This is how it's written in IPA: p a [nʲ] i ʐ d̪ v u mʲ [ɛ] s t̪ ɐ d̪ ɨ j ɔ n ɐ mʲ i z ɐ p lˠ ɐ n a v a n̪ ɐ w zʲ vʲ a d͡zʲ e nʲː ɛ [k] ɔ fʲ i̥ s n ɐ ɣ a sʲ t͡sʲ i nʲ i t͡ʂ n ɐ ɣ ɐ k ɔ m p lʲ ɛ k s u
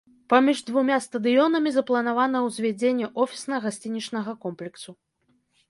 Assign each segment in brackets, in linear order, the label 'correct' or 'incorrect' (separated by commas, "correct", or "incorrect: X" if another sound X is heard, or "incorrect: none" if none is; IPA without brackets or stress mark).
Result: incorrect: mʲ, incorrect: a, incorrect: ʔ